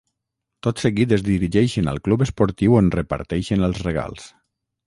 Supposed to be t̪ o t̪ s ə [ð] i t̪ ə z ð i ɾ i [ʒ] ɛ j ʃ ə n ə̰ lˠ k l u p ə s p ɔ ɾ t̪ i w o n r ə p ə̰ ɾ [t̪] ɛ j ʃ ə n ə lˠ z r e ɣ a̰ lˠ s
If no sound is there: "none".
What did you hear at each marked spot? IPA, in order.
ɣ, ʒ, t̪

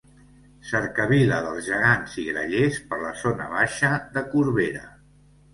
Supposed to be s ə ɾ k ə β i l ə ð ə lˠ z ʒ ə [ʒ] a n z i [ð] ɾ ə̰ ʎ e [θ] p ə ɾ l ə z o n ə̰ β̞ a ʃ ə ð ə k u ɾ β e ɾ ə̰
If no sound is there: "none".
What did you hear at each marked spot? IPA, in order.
ɣ, ɣ, s

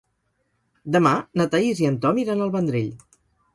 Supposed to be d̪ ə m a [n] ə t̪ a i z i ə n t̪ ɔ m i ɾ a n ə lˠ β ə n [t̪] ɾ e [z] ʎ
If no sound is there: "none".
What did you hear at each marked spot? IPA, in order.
n, d̪, none

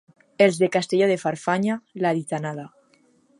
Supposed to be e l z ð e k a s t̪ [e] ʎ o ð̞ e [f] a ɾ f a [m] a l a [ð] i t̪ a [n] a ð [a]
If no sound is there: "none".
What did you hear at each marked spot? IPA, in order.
e, f, ɲ, ð, n, a

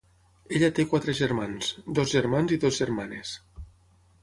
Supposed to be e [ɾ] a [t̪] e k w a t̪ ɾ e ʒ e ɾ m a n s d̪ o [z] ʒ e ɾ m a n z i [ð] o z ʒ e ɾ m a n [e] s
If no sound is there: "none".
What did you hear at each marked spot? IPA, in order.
ʎ, t̪, z, ð, e

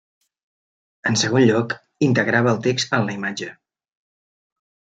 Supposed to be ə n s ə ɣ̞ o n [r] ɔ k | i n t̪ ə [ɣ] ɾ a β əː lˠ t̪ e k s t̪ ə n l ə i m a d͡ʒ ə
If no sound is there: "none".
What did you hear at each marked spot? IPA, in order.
ʎ, ɣ

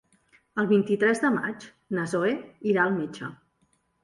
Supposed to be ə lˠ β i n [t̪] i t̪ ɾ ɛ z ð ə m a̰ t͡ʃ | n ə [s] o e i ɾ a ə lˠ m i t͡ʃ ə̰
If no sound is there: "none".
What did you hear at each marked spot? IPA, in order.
t̪, z

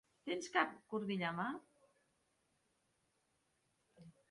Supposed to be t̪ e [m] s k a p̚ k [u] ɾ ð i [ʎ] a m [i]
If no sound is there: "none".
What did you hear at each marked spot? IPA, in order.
n, u, ʎ, a

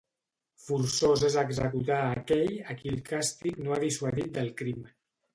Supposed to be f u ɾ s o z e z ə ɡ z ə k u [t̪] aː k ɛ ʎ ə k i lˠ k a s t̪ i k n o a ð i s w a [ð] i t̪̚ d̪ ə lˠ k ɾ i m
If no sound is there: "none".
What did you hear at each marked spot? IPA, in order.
t̪, ð

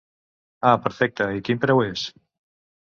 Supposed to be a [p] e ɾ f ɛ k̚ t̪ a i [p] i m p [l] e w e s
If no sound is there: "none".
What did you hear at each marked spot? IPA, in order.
p, k, ɾ

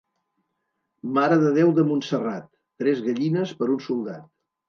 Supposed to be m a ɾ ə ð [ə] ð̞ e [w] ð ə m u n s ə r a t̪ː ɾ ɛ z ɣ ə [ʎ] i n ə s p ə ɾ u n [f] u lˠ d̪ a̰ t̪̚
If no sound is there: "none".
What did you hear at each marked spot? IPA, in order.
ə, w, ʎ, s

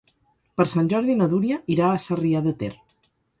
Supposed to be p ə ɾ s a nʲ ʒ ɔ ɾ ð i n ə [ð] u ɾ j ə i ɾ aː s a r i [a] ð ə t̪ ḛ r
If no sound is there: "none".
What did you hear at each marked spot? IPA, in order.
ð, a

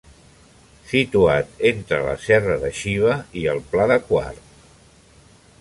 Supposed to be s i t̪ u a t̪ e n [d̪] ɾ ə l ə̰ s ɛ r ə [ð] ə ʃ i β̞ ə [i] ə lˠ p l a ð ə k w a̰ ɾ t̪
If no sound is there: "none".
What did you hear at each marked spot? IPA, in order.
t̪, ð, i

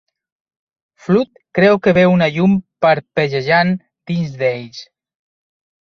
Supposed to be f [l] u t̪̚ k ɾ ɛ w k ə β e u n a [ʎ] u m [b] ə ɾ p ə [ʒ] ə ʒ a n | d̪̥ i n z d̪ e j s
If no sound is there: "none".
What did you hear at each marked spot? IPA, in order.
l, ʎ, p, ʒ

